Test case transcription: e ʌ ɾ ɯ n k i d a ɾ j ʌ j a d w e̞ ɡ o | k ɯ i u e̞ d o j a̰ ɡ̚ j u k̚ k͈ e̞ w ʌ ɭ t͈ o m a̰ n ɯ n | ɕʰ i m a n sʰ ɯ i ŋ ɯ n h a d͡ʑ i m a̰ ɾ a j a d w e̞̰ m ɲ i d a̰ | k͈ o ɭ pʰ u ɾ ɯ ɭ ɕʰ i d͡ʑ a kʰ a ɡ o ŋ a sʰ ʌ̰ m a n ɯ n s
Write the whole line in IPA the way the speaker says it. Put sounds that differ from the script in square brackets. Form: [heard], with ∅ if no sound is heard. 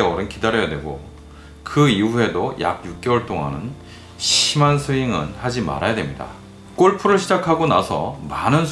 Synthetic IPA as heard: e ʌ ɾ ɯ n k i d a ɾ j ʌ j a d w e̞ ɡ o | k ɯ i u e̞ d o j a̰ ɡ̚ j u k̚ k͈ e̞ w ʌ ɭ t͈ o [ŋ] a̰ n ɯ n | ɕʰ i m a n sʰ ɯ i ŋ ɯ n h a d͡ʑ i m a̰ ɾ a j a d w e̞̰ m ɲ i d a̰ | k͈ o ɭ pʰ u ɾ ɯ ɭ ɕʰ i d͡ʑ a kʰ a ɡ o [n] a sʰ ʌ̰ m a n ɯ n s